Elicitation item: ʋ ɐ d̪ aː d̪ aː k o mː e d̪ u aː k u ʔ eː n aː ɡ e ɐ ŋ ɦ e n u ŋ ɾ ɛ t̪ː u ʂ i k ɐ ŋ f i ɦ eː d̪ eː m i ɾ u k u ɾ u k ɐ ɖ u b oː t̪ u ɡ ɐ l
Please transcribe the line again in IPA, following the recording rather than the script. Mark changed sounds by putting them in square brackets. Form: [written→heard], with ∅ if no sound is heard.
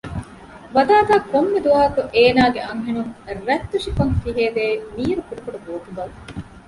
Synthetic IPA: ʋ ɐ d̪ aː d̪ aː k o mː e d̪ u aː k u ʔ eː n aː ɡ e ɐ ŋ ɦ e n u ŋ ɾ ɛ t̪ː u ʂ i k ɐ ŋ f i ɦ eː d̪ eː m [i→iː] ɾ u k u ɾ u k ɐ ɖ u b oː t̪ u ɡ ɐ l